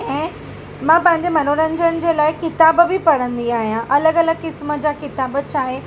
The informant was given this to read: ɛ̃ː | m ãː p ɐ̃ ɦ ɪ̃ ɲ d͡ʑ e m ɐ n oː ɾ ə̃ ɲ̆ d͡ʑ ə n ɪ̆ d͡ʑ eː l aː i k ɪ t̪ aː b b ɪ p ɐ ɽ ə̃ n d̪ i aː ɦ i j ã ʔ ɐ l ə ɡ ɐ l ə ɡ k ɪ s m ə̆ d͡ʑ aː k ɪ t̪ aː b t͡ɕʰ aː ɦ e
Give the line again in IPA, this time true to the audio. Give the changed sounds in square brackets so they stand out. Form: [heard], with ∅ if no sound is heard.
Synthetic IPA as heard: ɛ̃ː | m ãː p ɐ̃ ɦ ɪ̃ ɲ d͡ʑ e m ɐ n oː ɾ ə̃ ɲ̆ d͡ʑ ə n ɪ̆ d͡ʑ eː l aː [ɪ] k ɪ t̪ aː b b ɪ p ɐ ɽ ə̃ n d̪ i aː ɦ i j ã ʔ ɐ l ə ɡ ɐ l ə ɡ k ɪ s m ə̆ d͡ʑ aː k ɪ t̪ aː b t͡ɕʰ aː ɦ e